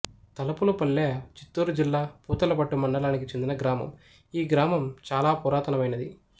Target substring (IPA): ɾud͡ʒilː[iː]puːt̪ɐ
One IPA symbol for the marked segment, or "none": aː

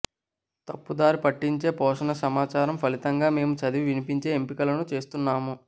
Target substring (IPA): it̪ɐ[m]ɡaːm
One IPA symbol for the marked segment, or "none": ŋ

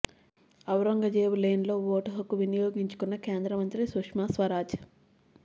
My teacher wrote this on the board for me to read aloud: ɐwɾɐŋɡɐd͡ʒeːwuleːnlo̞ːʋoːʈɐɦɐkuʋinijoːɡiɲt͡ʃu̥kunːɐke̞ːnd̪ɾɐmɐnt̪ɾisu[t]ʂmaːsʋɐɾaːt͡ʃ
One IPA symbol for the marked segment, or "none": k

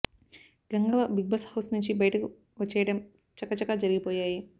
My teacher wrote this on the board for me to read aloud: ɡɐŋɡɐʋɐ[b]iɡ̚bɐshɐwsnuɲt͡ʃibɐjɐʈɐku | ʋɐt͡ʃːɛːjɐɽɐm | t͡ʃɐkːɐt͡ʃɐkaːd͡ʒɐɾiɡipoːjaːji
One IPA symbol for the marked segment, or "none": b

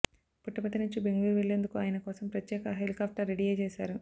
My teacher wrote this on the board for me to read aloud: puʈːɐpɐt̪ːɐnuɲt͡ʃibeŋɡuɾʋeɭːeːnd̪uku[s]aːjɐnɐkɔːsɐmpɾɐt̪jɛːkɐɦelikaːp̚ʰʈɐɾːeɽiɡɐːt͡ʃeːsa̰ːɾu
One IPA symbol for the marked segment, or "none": none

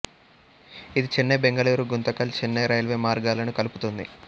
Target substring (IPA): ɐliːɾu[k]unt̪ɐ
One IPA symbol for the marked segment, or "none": ɡ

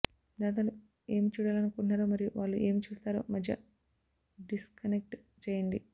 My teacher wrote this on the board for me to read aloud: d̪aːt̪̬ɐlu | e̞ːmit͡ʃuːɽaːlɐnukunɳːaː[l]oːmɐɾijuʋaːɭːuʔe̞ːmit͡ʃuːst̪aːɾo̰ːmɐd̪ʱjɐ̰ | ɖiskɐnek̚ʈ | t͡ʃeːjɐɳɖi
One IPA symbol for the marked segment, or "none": ɾ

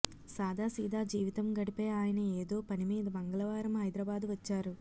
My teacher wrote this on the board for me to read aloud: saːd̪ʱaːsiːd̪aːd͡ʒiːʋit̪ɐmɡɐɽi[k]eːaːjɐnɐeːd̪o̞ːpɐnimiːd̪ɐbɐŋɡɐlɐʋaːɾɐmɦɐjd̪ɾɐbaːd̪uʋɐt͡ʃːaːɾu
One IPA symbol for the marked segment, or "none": p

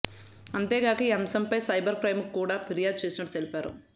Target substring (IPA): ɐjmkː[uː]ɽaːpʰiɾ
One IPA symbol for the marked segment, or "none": uː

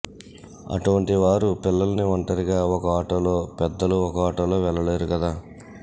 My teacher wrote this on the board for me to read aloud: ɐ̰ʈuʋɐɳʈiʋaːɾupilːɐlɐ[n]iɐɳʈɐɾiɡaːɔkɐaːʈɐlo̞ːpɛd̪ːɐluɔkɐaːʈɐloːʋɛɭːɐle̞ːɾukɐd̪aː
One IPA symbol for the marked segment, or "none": n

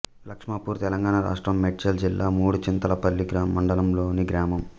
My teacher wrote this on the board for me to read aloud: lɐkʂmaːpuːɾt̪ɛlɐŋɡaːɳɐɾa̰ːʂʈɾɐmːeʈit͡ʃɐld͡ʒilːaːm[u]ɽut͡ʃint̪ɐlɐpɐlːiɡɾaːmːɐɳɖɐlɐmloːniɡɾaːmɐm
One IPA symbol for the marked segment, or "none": uː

